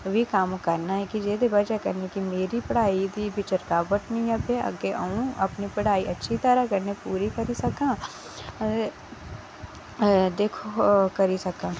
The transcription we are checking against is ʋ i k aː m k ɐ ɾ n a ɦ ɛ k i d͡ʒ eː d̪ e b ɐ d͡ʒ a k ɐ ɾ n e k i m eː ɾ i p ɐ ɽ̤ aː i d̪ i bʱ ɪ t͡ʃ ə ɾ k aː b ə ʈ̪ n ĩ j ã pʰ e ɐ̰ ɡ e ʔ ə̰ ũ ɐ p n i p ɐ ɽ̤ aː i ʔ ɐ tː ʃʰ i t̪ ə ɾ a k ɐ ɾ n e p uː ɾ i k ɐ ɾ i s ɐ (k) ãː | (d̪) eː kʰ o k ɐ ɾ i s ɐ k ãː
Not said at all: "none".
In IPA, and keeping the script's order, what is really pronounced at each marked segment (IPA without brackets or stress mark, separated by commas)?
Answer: k, d̪